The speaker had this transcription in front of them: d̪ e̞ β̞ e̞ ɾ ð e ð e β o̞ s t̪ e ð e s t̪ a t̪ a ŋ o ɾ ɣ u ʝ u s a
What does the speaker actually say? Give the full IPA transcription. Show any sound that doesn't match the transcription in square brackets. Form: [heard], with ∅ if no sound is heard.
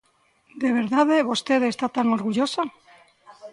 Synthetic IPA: d̪ e̞ β̞ e̞ ɾ ð [a] ð e β o̞ s t̪ e ð e s t̪ a t̪ a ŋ o ɾ ɣ u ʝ [o] s a

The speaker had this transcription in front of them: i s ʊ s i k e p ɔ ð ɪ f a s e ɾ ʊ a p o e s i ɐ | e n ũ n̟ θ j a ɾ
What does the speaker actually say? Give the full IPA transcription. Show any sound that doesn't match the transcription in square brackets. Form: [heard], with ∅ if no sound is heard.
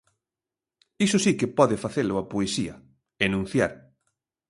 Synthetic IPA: i s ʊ s i k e p ɔ ð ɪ f a [θ] e [l] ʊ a p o e s i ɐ | e n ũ n̟ θ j a ɾ

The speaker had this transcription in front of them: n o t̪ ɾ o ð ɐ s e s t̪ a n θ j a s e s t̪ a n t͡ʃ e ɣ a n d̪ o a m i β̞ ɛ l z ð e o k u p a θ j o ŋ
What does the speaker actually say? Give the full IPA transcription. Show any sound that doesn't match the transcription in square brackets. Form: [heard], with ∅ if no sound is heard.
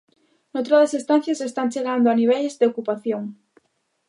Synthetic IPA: n o t̪ ɾ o ð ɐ s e s t̪ a n θ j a s e s t̪ a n t͡ʃ e ɣ a n d̪ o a [n] i β̞ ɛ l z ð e o k u p a θ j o ŋ

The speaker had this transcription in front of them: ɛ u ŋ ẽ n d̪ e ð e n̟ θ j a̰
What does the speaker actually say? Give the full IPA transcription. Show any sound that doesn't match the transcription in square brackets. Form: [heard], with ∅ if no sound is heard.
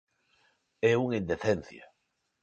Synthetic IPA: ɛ u ŋ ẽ n d̪ e [θ] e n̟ θ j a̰

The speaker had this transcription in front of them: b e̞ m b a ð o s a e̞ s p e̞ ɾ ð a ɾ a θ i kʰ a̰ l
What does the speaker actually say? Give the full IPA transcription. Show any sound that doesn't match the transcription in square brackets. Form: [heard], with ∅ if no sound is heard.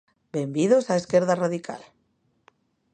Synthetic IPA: b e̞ m b [i] ð o s a e̞ s [k] e̞ ɾ ð a [r] a [ð] i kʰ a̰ l

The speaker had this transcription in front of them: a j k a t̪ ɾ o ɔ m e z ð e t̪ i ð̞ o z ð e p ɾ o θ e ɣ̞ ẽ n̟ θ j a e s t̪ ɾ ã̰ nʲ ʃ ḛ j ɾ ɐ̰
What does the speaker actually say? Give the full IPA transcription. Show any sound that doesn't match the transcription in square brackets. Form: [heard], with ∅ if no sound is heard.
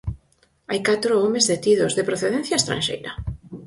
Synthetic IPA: a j k a t̪ ɾ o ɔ m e z ð e t̪ i ð̞ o z ð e p ɾ o θ e [ð̞] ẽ n̟ θ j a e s t̪ ɾ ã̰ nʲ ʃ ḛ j ɾ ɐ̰

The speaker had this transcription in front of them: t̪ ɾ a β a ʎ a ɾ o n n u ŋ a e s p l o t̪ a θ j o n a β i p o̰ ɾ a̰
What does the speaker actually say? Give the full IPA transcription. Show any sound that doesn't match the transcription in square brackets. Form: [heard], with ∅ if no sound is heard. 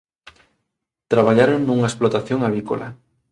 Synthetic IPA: t̪ ɾ a β a ʎ a ɾ o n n u ŋ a e s p l o t̪ a θ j o [ŋ] a β i [k] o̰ [l] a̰

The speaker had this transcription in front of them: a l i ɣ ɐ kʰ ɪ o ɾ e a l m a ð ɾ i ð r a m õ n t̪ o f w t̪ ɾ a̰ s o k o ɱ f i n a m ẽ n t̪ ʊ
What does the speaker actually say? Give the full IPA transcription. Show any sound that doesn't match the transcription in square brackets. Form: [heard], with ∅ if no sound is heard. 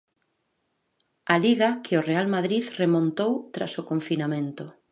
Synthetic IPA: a l i ɣ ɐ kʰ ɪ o [r] e a l m a ð ɾ i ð r [e] m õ n t̪ o [∅] w t̪ ɾ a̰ s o k o ɱ f i n a m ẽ n t̪ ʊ

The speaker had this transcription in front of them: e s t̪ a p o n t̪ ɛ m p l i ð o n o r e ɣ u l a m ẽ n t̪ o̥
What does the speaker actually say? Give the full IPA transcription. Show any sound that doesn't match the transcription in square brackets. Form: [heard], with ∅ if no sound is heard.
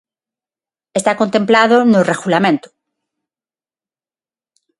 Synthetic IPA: e s t̪ a [k] o n t̪ [e] m p l [a] ð o n o r e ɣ u l a m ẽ n t̪ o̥

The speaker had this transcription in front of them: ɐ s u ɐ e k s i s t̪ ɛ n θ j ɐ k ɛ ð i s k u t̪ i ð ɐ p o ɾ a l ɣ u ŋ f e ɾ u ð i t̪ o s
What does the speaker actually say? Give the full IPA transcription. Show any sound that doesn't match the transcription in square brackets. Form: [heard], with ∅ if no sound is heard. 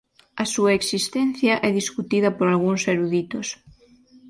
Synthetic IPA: ɐ s u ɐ e k s i s t̪ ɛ n θ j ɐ [ʔ] ɛ ð i s k u t̪ i ð ɐ p o ɾ a l ɣ u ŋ [s] e ɾ u ð i t̪ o s

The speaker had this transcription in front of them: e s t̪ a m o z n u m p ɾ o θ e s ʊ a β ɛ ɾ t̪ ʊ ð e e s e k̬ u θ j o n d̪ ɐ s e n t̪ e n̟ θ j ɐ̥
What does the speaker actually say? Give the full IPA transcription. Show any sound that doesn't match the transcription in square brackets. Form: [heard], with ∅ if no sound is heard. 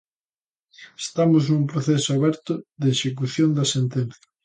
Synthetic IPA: e s t̪ a m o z n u m p ɾ o θ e s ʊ a β ɛ ɾ t̪ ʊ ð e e [ʃ] e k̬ u θ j o n d̪ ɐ s e n t̪ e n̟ θ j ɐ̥

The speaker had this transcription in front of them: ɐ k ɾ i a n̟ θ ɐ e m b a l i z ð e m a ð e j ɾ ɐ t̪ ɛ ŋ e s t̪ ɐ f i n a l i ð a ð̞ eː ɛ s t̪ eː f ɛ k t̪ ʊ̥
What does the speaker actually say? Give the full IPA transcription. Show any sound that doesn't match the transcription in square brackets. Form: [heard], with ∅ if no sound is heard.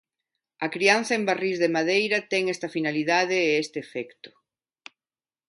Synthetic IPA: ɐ k ɾ i a n̟ θ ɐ e m b a [r] i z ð e m a ð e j ɾ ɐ t̪ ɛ ŋ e s t̪ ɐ f i n a l i ð a ð̞ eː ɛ s t̪ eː f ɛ k t̪ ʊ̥

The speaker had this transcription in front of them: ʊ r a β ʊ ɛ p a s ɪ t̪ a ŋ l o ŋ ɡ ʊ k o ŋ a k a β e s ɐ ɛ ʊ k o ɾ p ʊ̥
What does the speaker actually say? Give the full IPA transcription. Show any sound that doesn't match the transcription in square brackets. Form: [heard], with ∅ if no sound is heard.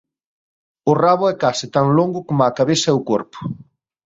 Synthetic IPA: ʊ r a β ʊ ɛ [k] a s ɪ t̪ a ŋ l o ŋ ɡ ʊ k o [m] a k a β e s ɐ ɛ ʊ k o ɾ p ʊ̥

